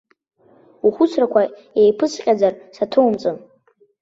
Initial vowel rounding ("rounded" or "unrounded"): rounded